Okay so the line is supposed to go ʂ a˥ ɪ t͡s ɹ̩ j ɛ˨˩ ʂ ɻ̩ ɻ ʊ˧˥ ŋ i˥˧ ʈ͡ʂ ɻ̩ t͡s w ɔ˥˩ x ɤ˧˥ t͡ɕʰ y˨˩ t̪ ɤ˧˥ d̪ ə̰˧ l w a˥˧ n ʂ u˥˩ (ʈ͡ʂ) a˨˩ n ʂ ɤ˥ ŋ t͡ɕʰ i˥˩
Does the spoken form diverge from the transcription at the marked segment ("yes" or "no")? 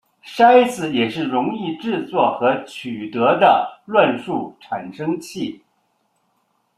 yes